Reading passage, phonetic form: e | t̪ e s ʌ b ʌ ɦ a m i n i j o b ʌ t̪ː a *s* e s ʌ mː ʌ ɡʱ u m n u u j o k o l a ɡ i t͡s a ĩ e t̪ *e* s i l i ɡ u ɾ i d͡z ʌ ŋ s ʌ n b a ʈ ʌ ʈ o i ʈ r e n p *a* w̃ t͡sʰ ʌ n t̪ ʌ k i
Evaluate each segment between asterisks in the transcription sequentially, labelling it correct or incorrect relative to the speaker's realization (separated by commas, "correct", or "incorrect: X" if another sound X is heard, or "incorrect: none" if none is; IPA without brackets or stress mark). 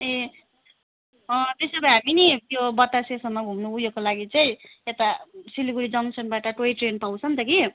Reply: correct, incorrect: a, correct